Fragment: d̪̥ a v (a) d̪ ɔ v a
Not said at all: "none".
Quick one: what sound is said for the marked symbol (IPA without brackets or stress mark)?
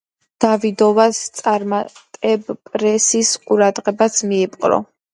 i